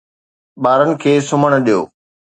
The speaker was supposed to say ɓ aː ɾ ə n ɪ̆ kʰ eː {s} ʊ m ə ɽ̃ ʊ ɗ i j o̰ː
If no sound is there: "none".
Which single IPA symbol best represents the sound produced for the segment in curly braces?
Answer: s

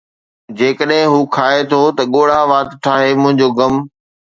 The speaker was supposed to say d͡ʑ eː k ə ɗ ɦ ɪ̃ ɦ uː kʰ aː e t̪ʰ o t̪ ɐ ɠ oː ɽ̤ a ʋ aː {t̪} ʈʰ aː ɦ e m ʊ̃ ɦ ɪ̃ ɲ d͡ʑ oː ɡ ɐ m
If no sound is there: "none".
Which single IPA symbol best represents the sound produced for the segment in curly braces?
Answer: t̪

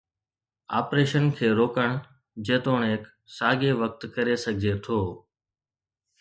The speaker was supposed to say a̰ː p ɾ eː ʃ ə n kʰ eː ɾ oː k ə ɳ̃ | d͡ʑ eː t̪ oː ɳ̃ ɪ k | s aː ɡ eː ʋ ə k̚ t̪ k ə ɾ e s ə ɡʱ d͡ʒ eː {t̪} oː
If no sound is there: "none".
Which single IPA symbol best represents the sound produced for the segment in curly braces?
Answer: t̪ʰ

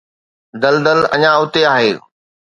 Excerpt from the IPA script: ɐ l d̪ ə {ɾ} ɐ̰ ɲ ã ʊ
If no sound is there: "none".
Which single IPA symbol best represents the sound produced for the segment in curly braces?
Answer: l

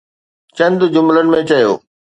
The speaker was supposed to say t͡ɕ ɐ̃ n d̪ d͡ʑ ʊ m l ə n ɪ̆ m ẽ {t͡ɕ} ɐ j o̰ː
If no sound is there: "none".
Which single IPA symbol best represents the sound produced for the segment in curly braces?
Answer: t͡ɕ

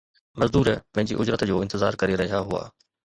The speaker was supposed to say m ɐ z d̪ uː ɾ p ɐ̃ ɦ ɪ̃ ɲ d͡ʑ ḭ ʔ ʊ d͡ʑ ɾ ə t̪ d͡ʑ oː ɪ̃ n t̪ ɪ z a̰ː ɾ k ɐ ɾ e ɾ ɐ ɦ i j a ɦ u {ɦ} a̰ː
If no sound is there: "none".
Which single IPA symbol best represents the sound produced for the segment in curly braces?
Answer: none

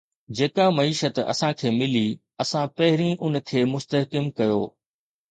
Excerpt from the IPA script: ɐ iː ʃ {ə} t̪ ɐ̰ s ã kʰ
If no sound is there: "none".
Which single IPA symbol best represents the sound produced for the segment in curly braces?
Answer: ə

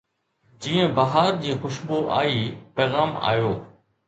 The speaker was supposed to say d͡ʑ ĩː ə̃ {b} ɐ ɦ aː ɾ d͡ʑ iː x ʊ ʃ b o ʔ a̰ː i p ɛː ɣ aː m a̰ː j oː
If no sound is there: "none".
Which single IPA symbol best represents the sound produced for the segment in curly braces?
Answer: b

